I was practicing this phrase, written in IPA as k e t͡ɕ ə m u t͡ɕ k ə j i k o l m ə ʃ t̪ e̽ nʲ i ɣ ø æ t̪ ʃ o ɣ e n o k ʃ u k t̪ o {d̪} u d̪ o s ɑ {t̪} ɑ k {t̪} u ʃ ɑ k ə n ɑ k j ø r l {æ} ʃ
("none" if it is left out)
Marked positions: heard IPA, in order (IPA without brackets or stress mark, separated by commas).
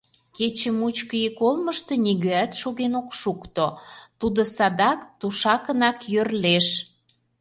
t̪, d̪, t̪, e